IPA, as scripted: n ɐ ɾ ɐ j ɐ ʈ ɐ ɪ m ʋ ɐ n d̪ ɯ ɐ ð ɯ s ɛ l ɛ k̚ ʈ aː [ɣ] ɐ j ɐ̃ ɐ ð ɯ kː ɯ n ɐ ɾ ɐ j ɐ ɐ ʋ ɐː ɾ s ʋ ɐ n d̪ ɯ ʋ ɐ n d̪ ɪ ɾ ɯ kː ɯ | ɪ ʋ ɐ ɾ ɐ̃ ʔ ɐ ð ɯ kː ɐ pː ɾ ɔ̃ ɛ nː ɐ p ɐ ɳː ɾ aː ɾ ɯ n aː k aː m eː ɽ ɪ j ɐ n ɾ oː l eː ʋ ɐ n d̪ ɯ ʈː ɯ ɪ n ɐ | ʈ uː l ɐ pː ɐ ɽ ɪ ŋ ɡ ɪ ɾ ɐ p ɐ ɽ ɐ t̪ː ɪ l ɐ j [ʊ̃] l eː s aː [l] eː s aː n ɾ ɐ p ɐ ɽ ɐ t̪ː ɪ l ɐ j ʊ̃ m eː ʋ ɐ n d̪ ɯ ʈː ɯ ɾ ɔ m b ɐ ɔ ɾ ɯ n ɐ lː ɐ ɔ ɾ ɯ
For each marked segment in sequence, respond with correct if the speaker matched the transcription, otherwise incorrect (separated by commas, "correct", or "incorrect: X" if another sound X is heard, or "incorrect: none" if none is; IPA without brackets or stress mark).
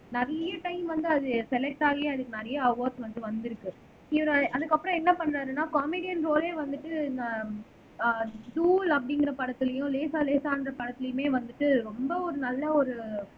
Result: correct, correct, correct